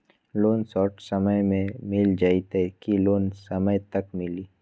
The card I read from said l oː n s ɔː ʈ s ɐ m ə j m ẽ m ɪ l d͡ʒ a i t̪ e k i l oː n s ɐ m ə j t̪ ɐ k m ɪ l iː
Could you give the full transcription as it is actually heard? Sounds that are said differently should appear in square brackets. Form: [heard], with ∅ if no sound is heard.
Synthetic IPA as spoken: l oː n s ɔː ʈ s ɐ m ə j m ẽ m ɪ l d͡ʒ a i t̪ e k i l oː n s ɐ m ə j t̪ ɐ k m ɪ l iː